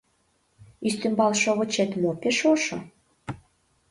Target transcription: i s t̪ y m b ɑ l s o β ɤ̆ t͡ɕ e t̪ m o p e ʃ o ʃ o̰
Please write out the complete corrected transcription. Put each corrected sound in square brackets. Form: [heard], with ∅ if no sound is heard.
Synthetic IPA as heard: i s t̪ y m b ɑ l [ʃ] o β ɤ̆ t͡ɕ e t̪ m o p e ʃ o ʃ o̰